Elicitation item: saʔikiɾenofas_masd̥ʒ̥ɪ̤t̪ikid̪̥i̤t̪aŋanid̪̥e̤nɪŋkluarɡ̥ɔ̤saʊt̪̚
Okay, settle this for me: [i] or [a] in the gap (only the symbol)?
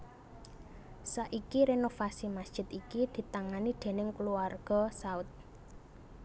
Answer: i